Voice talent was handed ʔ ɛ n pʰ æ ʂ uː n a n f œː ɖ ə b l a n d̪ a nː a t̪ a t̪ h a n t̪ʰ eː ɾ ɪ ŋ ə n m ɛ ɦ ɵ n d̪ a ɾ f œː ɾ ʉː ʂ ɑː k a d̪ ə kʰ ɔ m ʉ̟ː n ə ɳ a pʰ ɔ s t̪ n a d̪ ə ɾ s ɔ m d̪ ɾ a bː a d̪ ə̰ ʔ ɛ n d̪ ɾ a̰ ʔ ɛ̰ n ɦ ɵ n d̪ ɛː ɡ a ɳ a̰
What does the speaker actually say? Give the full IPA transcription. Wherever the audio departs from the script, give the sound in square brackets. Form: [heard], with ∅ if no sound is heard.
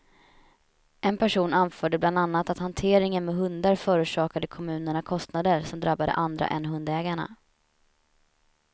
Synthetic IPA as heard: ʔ ɛ n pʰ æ ʂ uː n a n f œː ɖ ə b l a n d̪ a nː a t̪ a t̪ h a n t̪ʰ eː ɾ ɪ ŋ ə n m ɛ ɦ ɵ n d̪ a ɾ f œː ɾ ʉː ʂ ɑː k a d̪ ə kʰ ɔ m ʉ̟ː n ə ɳ a [kʰ] ɔ s t̪ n a d̪ ə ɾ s ɔ m d̪ ɾ a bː a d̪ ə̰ ʔ [a] n d̪ ɾ a̰ ʔ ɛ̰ n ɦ ɵ n d̪ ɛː ɡ a ɳ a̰